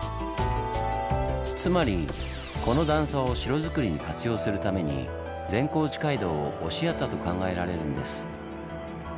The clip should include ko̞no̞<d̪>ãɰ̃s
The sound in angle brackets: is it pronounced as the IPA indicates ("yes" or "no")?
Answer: yes